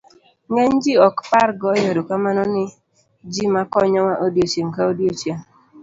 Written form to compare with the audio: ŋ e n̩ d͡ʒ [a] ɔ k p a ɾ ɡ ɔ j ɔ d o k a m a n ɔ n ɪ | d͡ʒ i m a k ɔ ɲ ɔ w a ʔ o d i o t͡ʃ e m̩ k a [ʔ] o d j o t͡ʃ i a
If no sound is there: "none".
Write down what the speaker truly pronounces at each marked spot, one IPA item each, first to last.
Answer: i, none

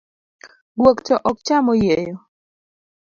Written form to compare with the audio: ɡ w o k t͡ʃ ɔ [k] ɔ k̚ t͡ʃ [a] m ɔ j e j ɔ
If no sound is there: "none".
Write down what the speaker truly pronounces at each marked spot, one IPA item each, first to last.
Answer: ʔ, a

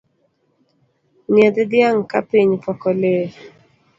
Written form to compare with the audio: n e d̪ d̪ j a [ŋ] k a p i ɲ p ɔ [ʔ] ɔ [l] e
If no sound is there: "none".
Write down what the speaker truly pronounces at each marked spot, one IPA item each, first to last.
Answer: ŋ, k, l

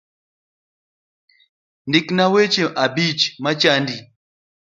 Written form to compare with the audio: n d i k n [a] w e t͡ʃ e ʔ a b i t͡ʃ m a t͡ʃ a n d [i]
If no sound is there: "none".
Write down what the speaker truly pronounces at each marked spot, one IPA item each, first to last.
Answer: a, i

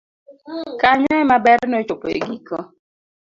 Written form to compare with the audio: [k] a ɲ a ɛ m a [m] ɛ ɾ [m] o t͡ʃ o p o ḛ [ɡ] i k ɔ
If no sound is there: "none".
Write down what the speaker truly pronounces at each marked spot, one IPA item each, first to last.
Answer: k, b, n, ɡ

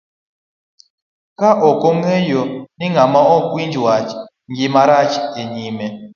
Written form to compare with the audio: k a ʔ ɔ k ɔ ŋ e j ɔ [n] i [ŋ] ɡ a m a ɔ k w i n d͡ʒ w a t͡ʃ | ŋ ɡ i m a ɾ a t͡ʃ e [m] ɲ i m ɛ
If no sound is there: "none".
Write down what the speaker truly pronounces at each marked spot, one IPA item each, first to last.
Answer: n, ŋ, none

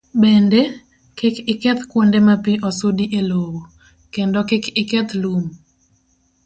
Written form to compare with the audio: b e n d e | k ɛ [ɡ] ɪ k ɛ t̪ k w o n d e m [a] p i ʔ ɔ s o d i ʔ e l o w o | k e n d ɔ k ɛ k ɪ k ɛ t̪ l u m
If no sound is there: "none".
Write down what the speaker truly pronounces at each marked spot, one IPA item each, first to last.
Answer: k, a

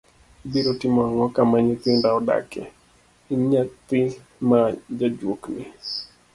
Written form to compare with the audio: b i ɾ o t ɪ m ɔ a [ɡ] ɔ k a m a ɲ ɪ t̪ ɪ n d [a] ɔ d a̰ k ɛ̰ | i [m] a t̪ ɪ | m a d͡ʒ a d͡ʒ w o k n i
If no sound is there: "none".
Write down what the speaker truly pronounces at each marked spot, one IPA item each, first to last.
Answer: ŋ, a, ɲ

